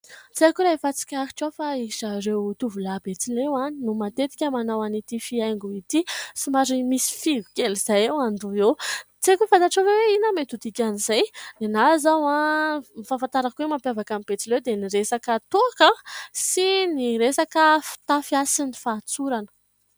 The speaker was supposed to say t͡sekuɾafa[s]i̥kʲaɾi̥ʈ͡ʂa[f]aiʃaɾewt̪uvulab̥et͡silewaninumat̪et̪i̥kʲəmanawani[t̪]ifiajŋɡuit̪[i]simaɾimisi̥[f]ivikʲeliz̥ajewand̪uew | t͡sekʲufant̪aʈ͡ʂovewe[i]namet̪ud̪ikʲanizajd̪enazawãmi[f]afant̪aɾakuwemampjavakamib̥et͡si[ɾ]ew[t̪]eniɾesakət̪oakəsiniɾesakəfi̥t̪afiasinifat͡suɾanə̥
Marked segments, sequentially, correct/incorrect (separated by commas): incorrect, correct, correct, correct, correct, correct, correct, incorrect, incorrect